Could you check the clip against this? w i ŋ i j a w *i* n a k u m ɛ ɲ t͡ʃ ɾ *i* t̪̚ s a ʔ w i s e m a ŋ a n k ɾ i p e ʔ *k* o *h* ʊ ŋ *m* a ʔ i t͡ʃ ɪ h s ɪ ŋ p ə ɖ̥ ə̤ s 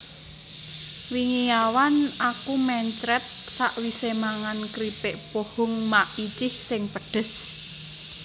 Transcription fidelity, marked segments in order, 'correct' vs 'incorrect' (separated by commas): incorrect, incorrect, incorrect, correct, correct